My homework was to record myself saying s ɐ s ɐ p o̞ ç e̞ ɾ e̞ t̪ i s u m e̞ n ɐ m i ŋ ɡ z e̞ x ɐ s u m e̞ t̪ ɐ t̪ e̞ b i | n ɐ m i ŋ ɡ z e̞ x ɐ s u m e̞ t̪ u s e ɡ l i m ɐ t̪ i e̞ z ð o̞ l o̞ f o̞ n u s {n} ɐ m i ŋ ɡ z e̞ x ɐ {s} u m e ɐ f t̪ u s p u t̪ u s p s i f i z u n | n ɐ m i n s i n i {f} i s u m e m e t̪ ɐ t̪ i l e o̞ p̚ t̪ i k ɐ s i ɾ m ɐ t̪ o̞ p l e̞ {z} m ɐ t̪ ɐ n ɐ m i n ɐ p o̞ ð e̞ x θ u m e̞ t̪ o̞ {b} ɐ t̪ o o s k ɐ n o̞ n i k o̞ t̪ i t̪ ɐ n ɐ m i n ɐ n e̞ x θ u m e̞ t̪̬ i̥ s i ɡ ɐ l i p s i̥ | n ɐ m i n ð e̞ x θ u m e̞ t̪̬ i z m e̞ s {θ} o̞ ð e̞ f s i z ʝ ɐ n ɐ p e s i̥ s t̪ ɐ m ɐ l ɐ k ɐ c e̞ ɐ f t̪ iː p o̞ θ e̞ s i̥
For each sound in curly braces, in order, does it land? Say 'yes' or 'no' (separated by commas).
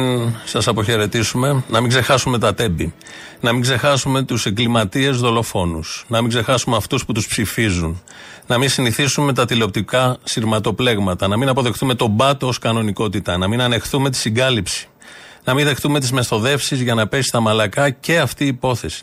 yes, yes, no, no, yes, yes